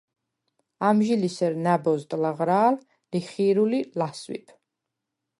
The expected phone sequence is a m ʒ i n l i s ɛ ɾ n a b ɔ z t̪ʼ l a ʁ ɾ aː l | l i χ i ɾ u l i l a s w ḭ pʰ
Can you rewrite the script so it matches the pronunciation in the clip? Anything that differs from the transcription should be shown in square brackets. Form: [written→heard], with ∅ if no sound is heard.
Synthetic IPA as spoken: a m ʒ i [n→∅] l i s ɛ ɾ n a b ɔ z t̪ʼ l a ʁ ɾ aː l | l i χ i ɾ u l i l a s w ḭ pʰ